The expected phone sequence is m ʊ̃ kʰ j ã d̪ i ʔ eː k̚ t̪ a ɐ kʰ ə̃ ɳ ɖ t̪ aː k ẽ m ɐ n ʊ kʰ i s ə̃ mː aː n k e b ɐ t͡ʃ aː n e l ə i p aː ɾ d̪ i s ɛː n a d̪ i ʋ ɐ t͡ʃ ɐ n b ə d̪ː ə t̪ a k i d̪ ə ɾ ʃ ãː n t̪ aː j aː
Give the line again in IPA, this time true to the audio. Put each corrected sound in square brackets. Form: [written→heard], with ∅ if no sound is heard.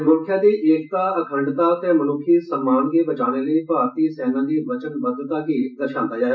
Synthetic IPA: m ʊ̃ kʰ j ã d̪ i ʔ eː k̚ t̪ a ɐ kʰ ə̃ ɳ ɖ t̪ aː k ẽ m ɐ n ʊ kʰ i s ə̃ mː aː n k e b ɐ t͡ʃ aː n e l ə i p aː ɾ [d̪→t̪] i s ɛː n a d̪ i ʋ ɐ t͡ʃ [ɐ→ə] n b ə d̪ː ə t̪ a k i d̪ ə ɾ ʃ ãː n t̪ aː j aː